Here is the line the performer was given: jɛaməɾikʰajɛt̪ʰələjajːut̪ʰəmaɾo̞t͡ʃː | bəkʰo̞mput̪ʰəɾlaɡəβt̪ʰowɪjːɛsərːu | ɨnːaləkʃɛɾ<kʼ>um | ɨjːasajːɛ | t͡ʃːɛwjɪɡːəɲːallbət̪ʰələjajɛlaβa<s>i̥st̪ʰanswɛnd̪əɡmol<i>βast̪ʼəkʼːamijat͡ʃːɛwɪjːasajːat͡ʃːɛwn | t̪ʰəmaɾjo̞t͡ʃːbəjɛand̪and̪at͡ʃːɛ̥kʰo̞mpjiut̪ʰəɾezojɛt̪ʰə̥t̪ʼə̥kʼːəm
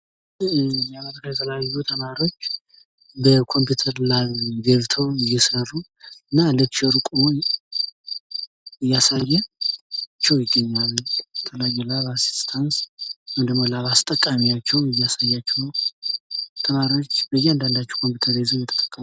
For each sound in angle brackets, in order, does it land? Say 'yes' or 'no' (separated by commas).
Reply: yes, yes, no